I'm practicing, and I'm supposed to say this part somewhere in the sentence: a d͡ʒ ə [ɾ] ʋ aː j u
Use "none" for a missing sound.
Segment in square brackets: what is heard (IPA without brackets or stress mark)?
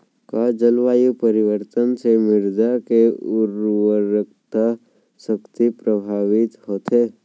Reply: l